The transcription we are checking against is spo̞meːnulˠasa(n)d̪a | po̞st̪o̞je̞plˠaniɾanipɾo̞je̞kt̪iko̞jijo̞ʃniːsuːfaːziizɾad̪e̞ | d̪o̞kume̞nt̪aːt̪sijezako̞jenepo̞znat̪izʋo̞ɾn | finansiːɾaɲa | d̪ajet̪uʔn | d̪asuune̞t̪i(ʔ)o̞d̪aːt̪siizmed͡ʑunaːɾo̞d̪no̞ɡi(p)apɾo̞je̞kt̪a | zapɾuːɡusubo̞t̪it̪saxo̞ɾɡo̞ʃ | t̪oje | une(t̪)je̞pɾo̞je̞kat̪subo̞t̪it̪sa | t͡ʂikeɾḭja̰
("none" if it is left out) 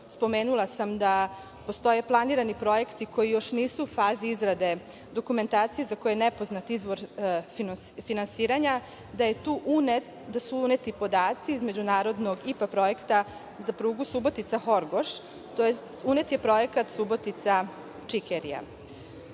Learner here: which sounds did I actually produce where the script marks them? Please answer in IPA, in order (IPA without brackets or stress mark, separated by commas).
m, p, p, t̪